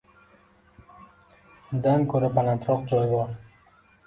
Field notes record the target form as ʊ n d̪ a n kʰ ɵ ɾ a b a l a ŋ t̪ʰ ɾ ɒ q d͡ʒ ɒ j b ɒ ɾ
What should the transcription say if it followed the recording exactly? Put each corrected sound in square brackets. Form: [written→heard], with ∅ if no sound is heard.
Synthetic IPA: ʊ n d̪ a n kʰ ɵ ɾ a b a l a [ŋ→n] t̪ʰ ɾ ɒ q d͡ʒ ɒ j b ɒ ɾ